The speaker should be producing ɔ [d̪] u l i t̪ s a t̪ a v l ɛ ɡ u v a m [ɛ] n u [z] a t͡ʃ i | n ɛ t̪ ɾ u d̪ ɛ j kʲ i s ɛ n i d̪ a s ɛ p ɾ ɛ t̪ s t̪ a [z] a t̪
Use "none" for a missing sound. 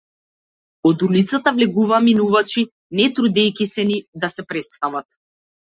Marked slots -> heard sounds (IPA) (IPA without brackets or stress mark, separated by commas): d̪, i, v, v